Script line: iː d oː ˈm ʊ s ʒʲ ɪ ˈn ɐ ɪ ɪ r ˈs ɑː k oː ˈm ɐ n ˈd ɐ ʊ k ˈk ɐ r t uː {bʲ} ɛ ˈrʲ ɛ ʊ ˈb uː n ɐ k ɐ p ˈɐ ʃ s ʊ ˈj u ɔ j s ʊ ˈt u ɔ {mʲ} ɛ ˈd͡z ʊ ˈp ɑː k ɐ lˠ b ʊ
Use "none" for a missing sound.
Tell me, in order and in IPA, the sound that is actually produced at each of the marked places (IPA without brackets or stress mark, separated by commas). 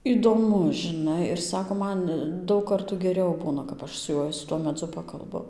ɡʲ, mʲ